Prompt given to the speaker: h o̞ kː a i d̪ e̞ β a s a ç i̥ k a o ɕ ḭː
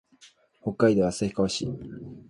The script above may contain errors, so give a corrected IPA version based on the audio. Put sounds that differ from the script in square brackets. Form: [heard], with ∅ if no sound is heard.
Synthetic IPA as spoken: h o̞ kː a i d̪ e̞ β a s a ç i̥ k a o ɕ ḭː